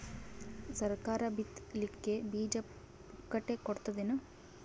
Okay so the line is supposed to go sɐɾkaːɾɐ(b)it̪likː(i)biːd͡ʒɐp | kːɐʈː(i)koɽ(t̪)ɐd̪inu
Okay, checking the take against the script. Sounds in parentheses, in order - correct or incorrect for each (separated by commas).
correct, incorrect, incorrect, correct